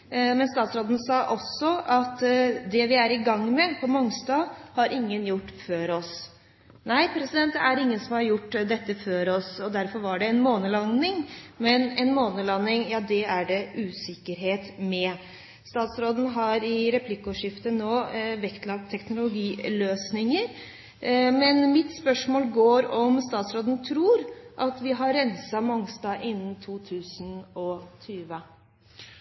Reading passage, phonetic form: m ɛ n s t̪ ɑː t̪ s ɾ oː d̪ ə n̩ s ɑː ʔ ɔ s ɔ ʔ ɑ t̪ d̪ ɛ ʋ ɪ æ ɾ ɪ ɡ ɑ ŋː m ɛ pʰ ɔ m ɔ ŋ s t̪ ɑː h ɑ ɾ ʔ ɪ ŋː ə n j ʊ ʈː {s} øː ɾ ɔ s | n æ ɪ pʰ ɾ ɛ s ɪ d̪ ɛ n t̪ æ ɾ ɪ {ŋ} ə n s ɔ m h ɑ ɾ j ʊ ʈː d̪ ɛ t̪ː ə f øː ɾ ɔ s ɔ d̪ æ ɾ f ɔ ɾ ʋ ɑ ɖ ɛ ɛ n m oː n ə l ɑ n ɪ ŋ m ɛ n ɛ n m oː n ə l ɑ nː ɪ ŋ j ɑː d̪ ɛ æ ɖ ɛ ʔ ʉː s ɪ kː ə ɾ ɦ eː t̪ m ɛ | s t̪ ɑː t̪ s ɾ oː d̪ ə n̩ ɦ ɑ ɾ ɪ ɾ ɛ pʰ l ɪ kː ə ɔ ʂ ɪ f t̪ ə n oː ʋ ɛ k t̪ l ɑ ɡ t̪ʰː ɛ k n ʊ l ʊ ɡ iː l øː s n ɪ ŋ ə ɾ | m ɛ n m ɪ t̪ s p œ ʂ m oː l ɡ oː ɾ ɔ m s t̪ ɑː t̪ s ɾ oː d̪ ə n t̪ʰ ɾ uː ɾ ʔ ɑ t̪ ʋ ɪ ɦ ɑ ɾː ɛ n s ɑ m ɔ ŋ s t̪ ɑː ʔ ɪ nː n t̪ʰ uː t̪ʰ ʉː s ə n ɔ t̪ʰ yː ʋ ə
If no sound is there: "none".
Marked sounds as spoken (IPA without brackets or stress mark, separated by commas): f, ŋː